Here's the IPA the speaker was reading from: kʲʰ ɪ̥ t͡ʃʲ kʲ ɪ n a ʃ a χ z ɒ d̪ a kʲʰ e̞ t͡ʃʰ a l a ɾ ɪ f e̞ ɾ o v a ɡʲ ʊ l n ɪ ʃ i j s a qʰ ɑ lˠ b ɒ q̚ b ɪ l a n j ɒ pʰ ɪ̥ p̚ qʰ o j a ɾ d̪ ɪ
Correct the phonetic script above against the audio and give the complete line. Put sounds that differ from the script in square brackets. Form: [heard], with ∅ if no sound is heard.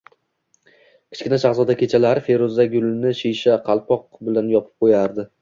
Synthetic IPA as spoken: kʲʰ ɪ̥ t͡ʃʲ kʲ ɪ n a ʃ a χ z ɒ d̪ a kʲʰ e̞ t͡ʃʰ a l a ɾ ɪ f e̞ ɾ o [z] a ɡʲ ʊ l n ɪ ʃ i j [ʃ] a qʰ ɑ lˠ [p] ɒ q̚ b ɪ l a n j ɒ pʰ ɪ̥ p̚ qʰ o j a ɾ d̪ ɪ